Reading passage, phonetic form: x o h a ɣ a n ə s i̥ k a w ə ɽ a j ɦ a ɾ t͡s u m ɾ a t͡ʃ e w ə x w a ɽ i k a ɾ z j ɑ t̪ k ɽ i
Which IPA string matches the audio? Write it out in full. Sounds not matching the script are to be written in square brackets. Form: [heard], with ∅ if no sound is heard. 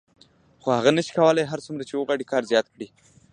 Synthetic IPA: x o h a ɣ a n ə [ʃ] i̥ k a w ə [l] a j ɦ a ɾ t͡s u m ɾ a t͡ʃ e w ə [ɣ] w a ɽ i k [ɑ] ɾ z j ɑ t̪ k ɽ i